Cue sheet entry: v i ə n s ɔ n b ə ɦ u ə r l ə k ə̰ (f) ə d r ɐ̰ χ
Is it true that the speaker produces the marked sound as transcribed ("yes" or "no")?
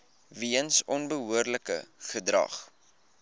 no